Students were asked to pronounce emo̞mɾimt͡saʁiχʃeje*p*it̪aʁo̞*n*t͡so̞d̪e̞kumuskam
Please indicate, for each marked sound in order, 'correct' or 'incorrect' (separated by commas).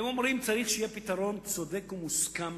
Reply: correct, correct